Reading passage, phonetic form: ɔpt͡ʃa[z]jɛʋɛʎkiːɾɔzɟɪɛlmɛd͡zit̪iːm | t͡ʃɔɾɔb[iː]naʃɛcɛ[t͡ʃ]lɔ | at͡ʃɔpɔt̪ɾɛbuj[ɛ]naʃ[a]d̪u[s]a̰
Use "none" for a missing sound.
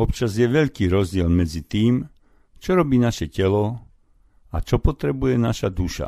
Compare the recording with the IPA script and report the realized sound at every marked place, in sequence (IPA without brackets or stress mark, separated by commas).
z, iː, none, ɛ, a, ʃ